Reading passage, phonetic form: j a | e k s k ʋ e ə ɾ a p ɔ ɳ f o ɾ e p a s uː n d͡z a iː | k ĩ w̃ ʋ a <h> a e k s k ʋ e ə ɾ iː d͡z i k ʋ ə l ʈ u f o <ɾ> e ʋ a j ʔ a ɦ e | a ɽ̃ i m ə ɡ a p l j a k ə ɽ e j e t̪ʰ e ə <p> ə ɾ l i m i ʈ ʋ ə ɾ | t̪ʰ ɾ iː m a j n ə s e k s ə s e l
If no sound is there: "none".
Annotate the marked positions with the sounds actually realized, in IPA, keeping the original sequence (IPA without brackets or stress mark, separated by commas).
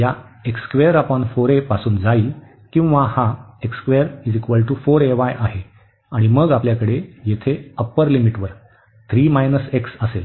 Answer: h, ɾ, p